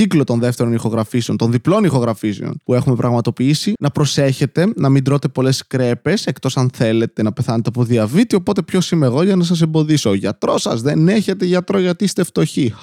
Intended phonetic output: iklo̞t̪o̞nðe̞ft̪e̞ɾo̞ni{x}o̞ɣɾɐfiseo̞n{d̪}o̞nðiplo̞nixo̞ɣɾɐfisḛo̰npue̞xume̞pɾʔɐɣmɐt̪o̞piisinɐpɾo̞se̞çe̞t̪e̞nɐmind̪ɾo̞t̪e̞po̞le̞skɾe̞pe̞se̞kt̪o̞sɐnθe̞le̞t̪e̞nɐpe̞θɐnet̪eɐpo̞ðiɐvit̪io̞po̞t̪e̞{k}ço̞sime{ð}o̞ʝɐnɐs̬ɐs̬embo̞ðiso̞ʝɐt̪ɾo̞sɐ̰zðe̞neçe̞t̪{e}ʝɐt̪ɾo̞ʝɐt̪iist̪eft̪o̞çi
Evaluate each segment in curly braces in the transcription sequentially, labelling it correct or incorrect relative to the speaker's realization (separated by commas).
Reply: correct, incorrect, incorrect, incorrect, correct